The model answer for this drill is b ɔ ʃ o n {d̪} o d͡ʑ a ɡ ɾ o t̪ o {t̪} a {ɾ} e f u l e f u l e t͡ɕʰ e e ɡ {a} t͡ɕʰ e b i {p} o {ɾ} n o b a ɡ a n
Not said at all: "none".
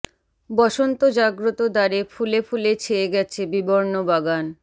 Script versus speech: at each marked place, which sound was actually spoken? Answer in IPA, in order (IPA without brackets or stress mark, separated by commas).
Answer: t̪, d̪, ɾ, ɛ, b, ɾ